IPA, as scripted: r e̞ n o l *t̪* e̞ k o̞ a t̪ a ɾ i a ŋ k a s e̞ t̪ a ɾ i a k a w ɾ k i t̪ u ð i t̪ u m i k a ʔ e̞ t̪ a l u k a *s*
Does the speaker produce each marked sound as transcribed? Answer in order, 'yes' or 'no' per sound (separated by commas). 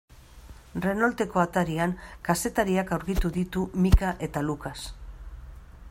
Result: yes, yes